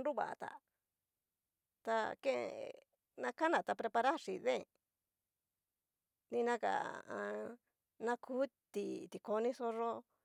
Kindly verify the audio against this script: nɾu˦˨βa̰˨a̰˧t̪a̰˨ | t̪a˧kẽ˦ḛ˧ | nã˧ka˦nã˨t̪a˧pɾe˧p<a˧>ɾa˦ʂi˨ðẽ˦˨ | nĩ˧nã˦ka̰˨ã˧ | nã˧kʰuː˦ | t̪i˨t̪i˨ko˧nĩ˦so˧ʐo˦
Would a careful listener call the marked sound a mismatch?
no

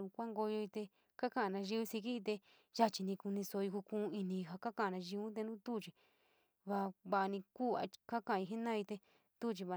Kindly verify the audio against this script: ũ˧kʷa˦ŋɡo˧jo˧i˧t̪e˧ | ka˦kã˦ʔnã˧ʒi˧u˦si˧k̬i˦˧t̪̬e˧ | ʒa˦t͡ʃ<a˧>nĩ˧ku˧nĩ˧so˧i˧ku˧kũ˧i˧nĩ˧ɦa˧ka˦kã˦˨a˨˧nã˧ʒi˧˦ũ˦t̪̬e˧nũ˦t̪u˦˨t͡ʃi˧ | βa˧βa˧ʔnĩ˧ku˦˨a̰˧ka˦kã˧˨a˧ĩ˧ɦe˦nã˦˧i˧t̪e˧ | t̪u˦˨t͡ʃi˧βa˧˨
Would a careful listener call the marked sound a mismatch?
yes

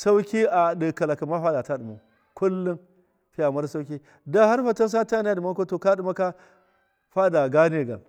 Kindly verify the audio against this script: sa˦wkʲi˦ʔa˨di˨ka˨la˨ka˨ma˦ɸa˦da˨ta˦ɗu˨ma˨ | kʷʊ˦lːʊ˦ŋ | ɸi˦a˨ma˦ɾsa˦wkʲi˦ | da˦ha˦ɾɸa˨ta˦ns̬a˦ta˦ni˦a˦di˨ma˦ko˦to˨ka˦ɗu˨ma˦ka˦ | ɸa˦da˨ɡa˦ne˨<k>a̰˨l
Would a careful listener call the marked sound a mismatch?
yes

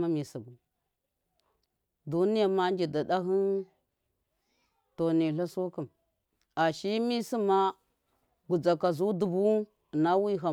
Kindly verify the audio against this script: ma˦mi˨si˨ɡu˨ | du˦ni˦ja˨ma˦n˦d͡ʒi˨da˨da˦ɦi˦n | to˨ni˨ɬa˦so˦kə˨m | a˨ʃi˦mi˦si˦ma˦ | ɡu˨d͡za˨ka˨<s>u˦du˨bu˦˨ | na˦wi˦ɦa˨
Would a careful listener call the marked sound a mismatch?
yes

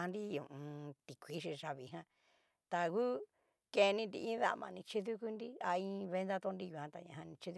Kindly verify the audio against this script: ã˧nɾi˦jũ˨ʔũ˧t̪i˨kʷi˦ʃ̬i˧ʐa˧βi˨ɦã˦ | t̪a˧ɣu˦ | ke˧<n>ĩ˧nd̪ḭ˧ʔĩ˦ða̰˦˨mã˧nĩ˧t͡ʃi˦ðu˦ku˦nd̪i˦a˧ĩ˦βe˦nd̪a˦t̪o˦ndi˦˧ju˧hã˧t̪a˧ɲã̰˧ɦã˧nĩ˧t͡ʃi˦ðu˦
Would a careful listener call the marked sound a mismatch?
no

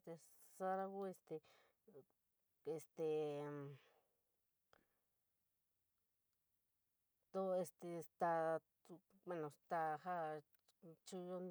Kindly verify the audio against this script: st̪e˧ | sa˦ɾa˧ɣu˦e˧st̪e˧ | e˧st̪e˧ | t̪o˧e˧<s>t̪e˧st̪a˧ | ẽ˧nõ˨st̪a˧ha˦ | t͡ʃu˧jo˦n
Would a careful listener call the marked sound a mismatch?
no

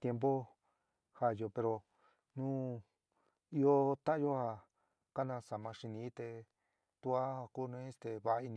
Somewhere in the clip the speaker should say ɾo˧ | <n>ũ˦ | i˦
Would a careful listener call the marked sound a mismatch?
no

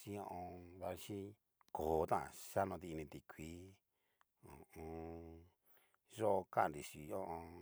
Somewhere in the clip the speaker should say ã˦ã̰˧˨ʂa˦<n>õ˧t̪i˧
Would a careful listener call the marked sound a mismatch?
no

